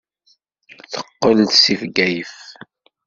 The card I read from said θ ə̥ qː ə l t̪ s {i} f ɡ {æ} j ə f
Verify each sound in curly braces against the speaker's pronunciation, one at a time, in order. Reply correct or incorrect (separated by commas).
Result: correct, correct